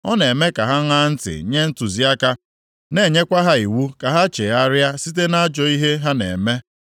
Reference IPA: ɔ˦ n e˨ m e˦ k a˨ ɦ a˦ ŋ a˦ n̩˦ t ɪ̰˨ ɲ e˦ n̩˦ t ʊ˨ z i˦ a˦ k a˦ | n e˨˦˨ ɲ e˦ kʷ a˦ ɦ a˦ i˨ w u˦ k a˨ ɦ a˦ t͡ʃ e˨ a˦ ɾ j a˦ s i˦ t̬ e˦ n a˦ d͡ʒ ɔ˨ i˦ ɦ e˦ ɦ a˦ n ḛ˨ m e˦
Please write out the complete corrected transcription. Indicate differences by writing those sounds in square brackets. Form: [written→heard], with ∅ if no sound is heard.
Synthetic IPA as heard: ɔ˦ n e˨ m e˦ k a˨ ɦ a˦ ŋ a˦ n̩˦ t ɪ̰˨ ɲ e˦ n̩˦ t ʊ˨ z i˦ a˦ k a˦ | n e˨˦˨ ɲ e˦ kʷ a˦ ɦ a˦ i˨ w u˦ k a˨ ɦ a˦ t͡ʃ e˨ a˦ ɾ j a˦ s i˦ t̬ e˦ n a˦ d͡ʒ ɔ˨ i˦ ɦ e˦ ɦ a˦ n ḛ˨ m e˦